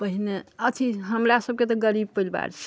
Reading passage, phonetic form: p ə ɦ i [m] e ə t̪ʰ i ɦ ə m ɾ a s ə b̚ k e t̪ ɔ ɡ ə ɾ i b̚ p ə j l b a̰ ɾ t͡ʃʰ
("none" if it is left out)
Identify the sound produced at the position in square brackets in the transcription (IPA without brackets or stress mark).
n